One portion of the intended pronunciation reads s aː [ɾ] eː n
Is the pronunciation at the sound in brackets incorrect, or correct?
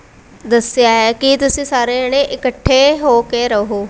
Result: correct